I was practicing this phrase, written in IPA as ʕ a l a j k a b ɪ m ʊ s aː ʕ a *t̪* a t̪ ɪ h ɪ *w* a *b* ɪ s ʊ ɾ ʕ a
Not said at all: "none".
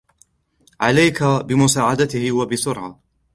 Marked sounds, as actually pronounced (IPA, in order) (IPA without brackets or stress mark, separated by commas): d̪, w, b